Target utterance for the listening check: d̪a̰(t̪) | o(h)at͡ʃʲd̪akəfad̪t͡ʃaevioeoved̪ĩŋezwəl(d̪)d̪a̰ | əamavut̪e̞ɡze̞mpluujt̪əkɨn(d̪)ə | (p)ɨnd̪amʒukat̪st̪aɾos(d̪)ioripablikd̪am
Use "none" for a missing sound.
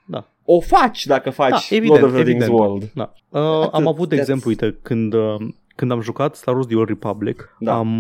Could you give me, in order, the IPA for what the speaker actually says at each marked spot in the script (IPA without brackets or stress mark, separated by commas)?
none, f, d̪, d̪, k, d̪